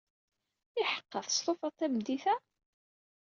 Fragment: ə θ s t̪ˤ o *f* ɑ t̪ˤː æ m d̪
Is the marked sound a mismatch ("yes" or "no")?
no